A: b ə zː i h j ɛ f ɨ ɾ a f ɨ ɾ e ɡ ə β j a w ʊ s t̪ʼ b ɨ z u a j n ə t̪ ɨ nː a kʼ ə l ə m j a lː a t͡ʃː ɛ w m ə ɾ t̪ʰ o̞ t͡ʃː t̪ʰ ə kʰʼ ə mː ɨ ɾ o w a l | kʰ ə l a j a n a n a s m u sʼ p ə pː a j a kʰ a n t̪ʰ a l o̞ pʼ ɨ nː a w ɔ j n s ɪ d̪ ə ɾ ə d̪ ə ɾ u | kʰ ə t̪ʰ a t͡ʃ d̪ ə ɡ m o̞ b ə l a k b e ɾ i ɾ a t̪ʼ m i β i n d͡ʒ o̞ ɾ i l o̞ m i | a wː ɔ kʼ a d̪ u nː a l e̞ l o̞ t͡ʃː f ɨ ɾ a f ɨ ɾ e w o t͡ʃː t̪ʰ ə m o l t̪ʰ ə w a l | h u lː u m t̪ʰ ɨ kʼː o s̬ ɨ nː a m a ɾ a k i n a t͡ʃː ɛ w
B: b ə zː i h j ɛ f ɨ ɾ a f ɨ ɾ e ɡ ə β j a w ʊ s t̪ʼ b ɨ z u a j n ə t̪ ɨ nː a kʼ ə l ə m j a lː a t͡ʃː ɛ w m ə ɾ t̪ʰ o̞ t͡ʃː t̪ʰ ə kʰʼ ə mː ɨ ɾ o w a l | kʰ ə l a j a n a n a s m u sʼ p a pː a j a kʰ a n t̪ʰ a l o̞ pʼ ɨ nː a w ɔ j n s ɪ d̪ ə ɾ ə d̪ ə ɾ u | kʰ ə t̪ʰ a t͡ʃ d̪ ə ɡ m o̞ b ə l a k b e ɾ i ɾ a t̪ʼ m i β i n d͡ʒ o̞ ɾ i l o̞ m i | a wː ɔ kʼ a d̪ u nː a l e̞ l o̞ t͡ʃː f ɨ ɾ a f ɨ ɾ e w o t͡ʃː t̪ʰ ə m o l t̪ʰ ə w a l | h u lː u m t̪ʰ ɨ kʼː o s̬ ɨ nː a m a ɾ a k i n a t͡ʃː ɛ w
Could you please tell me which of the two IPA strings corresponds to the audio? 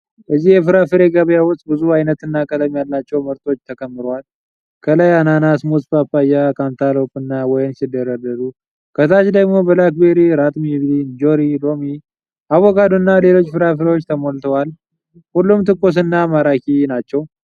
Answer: B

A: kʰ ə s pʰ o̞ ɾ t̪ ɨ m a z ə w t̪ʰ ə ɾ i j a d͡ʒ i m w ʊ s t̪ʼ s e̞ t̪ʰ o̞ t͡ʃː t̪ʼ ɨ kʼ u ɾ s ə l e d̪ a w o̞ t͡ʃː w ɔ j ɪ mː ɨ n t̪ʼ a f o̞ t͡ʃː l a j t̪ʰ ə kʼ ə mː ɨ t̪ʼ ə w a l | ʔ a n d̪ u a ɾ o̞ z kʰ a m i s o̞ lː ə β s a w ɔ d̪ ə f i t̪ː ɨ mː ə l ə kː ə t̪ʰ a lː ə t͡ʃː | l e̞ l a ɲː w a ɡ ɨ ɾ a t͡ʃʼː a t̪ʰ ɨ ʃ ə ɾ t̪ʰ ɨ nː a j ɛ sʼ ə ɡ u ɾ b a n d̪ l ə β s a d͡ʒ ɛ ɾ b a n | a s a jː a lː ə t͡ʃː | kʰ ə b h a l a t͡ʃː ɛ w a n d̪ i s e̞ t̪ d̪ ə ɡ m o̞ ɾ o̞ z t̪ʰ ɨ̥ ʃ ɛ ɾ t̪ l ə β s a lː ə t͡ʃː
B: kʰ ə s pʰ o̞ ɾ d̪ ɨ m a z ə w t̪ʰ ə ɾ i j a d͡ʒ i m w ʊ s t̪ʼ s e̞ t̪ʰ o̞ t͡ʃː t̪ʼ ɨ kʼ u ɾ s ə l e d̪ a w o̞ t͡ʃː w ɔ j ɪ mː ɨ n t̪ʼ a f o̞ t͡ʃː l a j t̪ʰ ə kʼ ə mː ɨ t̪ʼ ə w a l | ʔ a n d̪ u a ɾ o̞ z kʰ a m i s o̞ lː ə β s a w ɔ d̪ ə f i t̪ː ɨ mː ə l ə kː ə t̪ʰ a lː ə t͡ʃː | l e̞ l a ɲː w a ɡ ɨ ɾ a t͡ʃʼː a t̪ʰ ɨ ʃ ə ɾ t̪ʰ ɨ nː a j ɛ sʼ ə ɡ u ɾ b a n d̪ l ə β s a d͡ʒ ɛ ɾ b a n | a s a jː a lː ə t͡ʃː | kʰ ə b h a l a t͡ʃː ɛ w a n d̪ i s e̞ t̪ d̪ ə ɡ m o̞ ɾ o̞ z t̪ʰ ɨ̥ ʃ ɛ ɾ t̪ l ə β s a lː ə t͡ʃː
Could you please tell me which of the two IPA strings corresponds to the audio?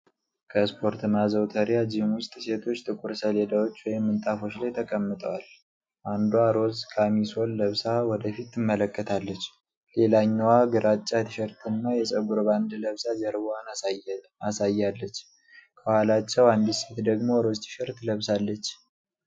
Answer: A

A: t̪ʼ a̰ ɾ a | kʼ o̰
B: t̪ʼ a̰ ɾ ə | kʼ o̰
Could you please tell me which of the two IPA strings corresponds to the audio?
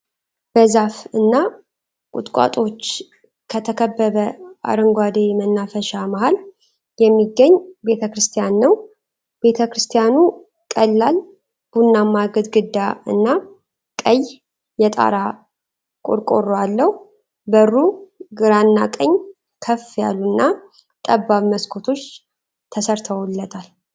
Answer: A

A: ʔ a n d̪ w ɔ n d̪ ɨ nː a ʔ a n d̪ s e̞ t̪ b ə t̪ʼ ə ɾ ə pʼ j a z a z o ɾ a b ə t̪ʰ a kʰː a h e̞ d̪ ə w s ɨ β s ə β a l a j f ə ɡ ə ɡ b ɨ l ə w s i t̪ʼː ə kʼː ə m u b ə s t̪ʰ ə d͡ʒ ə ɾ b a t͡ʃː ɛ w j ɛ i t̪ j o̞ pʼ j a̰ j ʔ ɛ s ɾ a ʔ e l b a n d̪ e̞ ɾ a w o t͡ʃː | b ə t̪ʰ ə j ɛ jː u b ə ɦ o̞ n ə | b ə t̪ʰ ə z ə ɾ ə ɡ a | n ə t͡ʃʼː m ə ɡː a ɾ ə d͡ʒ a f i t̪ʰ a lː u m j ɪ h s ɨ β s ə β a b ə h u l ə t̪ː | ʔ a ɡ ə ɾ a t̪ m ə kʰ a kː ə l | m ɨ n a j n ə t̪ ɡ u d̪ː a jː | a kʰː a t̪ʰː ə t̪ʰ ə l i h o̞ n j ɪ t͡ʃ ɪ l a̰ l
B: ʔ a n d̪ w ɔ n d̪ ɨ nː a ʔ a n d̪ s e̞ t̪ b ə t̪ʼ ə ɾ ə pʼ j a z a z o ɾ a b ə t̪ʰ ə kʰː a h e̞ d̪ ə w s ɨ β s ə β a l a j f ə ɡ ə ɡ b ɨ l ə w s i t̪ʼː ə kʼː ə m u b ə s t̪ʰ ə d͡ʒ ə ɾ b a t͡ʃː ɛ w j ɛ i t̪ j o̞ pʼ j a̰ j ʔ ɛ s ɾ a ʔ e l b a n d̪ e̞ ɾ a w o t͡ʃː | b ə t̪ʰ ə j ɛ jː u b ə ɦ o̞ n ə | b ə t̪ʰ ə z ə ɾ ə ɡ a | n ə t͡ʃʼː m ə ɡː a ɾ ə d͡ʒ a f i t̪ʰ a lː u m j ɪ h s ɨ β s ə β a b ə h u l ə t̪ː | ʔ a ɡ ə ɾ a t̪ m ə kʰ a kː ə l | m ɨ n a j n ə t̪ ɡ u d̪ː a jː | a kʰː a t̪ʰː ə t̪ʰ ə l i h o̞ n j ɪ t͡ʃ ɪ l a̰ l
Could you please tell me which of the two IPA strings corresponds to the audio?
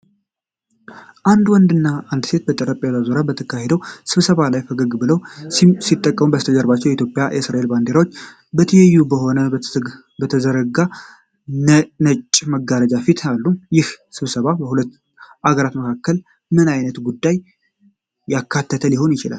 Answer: B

